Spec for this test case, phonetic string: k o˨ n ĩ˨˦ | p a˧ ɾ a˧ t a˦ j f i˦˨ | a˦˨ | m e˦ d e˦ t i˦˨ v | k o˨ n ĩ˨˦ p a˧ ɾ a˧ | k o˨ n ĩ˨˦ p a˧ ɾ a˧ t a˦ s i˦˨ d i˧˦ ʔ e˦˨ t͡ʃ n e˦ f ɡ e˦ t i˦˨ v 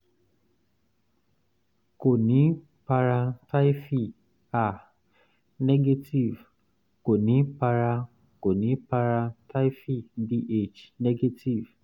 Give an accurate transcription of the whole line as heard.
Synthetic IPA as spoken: k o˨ n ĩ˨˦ | p a˧ ɾ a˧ t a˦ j f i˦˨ | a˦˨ | n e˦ ɡ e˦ t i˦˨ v | k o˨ n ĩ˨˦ p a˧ ɾ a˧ | k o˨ n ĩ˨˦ p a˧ ɾ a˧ t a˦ f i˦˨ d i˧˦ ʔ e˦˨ t͡ʃ n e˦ ɡ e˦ t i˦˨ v